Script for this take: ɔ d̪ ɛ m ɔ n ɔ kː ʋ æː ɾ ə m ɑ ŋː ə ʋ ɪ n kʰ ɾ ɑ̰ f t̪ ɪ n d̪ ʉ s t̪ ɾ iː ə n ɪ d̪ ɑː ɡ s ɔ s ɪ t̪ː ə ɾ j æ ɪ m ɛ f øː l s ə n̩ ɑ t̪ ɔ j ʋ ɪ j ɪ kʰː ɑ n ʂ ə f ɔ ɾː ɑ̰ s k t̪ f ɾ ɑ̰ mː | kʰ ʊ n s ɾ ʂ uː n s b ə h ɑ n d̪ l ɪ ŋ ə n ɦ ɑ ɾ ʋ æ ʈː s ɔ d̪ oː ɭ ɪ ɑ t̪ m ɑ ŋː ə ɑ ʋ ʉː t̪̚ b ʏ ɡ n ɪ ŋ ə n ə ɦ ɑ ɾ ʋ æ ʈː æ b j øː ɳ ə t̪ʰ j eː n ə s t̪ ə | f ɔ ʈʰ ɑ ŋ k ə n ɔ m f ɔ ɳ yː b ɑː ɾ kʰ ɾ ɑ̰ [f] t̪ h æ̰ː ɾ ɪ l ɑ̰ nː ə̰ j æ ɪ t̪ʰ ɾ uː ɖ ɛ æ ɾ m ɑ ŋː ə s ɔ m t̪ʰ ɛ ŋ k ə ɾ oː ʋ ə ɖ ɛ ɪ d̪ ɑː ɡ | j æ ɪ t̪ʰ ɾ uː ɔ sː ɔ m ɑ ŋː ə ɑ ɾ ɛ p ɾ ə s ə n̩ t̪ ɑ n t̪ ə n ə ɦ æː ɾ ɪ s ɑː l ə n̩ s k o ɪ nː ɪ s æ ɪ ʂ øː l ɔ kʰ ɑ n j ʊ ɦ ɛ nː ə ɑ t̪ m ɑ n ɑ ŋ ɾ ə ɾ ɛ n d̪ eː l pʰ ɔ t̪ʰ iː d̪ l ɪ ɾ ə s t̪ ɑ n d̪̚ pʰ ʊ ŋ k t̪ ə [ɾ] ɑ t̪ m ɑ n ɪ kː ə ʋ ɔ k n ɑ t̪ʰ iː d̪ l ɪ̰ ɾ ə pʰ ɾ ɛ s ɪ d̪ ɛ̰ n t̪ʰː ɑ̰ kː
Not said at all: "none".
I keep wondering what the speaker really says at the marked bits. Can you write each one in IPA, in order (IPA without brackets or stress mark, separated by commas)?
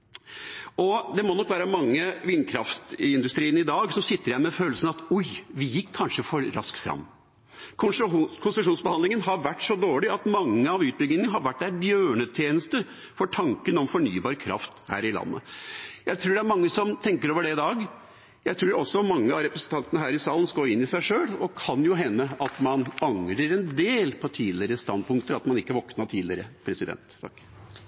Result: f, ɾ